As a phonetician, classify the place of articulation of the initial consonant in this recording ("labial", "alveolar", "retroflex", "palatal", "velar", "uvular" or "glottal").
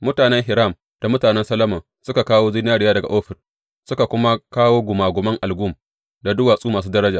labial